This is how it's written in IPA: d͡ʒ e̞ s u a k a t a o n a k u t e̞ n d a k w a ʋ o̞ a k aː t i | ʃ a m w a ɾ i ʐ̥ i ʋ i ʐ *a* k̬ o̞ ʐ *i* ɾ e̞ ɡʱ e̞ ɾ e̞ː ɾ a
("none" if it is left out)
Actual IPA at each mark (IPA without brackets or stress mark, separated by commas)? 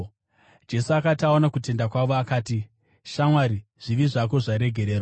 a, a